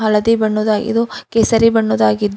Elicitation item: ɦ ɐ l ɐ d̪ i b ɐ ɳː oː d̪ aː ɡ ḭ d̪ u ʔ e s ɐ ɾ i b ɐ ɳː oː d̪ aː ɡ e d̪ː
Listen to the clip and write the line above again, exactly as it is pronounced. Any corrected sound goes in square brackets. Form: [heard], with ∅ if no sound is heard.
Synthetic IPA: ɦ ɐ l ɐ d̪ i b ɐ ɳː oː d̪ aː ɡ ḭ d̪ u [k] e s ɐ ɾ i b ɐ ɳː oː d̪ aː ɡ [i] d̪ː